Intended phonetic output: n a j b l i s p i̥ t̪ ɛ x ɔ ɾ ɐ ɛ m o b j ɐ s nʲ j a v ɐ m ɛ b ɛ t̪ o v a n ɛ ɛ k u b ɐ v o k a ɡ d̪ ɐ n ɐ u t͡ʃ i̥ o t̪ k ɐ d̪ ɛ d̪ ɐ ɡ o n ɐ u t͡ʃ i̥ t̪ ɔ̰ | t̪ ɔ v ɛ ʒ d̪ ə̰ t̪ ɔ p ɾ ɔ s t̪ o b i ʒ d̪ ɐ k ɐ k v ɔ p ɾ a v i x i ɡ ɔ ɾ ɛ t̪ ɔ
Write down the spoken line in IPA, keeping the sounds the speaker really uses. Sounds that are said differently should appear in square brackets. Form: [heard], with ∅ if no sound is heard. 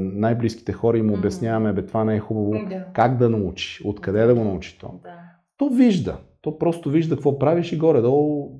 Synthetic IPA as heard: n a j b l i s [k] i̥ t̪ ɛ x ɔ ɾ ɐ [i] m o b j ɐ s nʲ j a v ɐ m ɛ b ɛ t̪ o v a n ɛ ɛ [x] u b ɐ v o k a ɡ d̪ ɐ n ɐ u t͡ʃ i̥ o t̪ k ɐ d̪ ɛ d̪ ɐ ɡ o n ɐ u t͡ʃ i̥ t̪ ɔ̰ | t̪ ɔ v [i] ʒ d̪ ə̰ t̪ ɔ p ɾ ɔ s t̪ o [v] i ʒ d̪ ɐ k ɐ k v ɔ p ɾ a v i [ʃ] i ɡ ɔ ɾ ɛ [d̪] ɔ